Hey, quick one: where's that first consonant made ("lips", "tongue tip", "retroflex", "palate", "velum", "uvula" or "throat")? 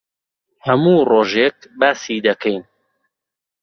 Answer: throat